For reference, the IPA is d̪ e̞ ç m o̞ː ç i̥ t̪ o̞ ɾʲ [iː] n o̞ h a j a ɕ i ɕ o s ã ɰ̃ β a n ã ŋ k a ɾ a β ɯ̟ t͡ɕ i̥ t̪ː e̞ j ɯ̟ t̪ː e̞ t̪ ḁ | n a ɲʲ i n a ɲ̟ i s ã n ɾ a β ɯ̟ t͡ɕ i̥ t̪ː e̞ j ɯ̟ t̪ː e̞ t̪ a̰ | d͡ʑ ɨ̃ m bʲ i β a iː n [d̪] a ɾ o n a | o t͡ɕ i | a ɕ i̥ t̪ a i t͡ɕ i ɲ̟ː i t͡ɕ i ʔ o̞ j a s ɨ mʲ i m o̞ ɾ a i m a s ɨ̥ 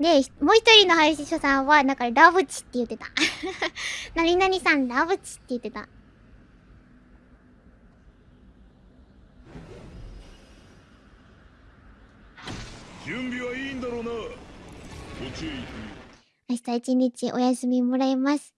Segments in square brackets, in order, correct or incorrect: incorrect: i, correct

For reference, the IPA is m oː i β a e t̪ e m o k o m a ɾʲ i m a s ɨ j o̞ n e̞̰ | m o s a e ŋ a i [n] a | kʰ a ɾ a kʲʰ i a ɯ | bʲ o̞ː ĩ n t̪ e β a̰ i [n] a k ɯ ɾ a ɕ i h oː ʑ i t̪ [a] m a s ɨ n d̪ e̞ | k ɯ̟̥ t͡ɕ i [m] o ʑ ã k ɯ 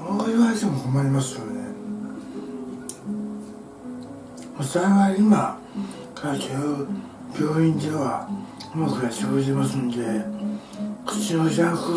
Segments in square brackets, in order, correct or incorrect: incorrect: m, incorrect: m, incorrect: e, incorrect: n

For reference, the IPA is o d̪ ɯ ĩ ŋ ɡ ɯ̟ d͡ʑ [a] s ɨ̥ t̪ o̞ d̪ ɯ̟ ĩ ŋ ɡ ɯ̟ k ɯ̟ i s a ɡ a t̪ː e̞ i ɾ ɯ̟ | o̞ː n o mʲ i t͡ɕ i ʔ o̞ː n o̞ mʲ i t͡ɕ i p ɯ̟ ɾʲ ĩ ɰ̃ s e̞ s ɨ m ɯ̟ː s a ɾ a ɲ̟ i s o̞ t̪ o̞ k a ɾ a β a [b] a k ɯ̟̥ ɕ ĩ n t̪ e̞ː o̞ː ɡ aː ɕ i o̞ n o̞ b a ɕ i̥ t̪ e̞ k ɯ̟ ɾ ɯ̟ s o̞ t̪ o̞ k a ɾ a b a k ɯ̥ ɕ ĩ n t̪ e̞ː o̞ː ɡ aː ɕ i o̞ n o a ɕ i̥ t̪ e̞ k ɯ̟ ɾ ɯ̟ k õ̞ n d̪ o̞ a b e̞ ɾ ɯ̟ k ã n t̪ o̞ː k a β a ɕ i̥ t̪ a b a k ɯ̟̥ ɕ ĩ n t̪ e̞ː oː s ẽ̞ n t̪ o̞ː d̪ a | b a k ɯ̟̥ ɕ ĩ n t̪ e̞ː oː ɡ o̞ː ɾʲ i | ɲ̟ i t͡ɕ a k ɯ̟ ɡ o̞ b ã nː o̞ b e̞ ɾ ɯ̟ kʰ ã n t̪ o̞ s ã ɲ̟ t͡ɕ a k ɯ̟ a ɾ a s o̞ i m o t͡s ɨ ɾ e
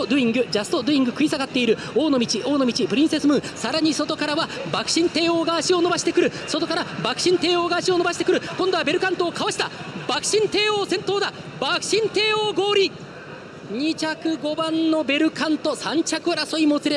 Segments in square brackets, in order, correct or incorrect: correct, correct

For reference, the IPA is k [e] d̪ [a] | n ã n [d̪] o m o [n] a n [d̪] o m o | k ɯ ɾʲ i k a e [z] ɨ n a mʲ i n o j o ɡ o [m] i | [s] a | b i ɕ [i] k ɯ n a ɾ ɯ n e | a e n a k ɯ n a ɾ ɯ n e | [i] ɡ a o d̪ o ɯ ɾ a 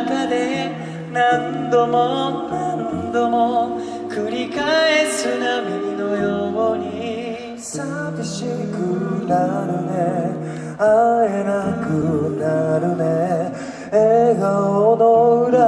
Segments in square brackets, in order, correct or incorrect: incorrect: a, incorrect: e, correct, correct, correct, incorrect: s, incorrect: ɲ, correct, correct, incorrect: e

